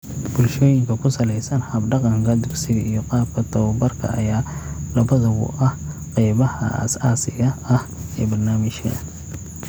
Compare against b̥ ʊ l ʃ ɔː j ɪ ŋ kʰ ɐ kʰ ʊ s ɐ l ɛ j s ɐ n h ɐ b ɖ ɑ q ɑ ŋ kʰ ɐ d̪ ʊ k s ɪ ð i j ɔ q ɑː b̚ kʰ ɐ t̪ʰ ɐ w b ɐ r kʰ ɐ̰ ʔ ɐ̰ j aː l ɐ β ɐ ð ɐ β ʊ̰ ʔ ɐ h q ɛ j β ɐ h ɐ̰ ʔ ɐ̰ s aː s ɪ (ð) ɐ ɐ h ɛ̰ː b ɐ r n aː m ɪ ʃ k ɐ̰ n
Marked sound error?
yes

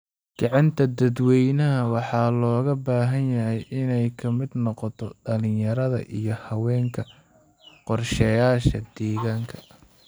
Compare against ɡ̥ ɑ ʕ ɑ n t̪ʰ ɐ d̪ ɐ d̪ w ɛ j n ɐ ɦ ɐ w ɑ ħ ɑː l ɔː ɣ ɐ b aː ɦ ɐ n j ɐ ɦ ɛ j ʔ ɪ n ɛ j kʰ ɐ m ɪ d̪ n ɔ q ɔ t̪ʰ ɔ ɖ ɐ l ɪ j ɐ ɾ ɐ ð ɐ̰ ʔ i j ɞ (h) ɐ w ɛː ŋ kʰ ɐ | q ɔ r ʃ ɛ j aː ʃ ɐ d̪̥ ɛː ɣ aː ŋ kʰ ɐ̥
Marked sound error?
no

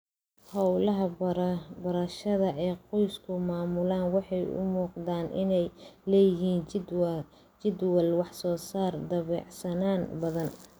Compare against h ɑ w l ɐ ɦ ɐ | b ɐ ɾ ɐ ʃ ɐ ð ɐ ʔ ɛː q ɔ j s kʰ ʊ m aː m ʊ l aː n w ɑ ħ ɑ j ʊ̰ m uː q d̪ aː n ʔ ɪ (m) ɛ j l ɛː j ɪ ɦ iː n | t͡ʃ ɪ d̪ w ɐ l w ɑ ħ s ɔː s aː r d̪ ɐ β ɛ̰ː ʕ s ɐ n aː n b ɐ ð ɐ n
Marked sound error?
yes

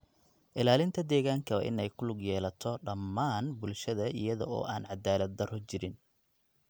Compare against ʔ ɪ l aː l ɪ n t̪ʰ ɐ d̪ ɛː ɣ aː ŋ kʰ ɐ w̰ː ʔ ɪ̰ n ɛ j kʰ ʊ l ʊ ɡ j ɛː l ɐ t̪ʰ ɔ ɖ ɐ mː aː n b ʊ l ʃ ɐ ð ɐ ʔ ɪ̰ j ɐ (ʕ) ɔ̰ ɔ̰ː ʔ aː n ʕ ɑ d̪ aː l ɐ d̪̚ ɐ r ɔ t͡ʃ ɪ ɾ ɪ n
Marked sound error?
yes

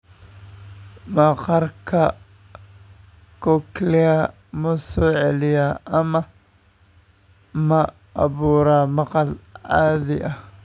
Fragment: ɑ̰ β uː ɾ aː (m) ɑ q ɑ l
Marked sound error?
no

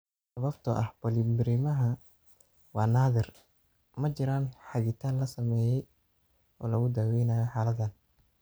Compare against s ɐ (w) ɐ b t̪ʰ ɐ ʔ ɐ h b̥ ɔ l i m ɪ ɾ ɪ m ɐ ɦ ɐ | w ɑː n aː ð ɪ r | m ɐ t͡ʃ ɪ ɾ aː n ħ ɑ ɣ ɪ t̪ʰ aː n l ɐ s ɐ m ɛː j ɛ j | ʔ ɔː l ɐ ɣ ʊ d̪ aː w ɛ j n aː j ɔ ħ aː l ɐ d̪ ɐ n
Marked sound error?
yes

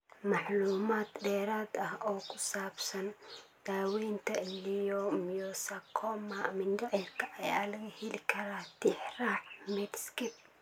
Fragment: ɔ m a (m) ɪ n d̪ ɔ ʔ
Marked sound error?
no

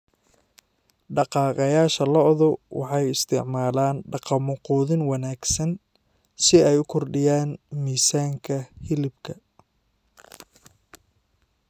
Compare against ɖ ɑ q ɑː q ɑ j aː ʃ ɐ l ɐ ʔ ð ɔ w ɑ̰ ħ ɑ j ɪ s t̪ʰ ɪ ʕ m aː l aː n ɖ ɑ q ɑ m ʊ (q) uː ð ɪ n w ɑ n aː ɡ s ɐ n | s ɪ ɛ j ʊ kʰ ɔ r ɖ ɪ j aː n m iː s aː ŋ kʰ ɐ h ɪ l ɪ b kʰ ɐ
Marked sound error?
no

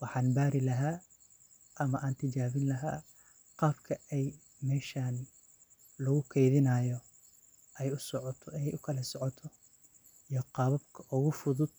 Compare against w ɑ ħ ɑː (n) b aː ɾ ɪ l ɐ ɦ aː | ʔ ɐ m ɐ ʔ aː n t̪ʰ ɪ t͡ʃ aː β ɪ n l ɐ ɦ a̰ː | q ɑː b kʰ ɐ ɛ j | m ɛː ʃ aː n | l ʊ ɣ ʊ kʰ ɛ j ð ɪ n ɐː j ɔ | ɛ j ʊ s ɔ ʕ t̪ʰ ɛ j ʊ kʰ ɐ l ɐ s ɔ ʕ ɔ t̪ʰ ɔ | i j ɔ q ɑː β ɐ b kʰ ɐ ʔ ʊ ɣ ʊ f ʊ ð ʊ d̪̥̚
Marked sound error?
no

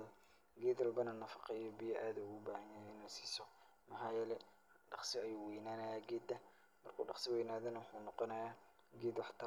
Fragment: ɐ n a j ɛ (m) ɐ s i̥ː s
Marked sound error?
yes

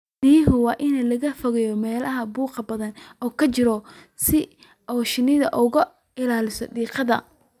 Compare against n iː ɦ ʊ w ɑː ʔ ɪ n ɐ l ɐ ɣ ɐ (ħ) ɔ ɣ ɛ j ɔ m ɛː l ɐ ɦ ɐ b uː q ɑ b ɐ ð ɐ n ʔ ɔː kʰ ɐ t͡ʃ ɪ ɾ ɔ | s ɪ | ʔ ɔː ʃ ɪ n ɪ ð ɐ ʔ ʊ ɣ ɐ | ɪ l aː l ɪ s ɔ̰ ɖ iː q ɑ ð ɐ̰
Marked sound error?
yes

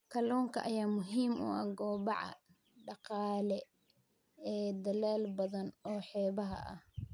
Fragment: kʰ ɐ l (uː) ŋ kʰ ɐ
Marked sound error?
yes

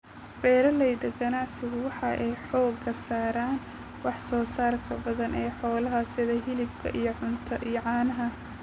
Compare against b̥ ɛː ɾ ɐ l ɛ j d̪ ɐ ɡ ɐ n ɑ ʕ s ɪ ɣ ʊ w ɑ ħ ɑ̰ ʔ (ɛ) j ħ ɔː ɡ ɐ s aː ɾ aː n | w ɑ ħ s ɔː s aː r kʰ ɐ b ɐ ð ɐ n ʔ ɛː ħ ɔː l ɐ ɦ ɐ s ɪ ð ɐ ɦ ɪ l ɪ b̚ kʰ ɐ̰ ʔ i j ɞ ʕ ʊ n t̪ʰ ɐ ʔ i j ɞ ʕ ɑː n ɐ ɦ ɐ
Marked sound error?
no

